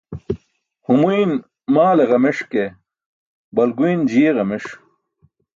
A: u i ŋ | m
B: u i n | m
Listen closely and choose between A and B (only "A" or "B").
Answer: B